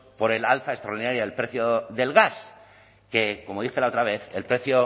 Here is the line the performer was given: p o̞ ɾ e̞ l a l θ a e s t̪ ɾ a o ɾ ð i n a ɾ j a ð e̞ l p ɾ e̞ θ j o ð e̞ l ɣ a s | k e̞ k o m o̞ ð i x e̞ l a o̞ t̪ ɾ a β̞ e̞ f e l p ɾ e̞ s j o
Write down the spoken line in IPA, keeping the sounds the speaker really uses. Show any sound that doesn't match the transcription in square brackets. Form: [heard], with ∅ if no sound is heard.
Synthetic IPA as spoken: p o̞ ɾ e̞ l a l θ a e s t̪ ɾ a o ɾ ð i n a ɾ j a ð e̞ l p ɾ e̞ θ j o ð e̞ l ɣ a s | k e̞ k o m o̞ ð i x e̞ l a o̞ t̪ ɾ a β̞ e̞ [θ] e l p ɾ e̞ [θ] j o